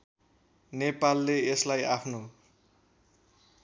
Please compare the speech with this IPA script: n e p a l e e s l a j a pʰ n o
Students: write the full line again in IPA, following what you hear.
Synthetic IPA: n e p a lː e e s l a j a pʰ n o